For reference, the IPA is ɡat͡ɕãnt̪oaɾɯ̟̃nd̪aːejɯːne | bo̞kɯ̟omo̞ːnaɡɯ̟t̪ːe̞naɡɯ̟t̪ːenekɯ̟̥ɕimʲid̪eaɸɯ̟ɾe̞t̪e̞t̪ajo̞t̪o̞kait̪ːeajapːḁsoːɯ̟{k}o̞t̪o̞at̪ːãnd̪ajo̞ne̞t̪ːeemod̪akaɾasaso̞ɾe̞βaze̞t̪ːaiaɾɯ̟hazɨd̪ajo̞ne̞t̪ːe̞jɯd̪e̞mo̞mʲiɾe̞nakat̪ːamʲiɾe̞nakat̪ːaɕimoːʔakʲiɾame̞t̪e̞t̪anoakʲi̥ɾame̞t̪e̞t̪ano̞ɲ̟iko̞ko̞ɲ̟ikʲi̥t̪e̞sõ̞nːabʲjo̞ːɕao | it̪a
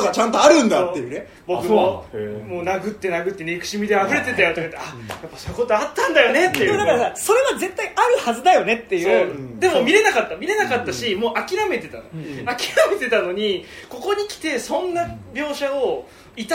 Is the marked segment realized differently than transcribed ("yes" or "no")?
no